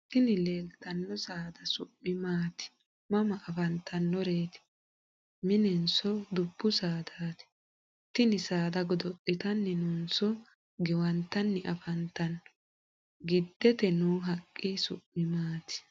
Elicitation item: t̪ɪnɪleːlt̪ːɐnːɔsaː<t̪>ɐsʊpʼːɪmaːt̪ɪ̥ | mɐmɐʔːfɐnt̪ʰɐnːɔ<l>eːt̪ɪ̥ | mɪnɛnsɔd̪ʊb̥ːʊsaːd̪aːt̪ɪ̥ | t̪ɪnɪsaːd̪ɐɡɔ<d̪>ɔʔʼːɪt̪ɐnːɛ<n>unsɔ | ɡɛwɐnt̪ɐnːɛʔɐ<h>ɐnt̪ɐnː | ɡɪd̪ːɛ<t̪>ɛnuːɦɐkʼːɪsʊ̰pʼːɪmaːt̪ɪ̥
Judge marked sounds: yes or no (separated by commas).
no, no, yes, yes, no, yes